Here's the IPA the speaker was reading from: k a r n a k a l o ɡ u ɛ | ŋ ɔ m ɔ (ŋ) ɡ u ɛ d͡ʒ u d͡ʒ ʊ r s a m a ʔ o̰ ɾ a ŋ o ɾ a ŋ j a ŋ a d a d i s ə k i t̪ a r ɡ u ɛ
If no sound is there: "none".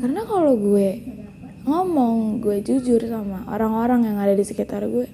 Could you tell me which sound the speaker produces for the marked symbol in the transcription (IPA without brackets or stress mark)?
ŋ